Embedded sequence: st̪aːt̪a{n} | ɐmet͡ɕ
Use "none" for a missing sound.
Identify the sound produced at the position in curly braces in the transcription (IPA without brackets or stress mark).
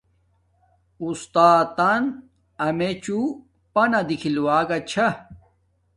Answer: n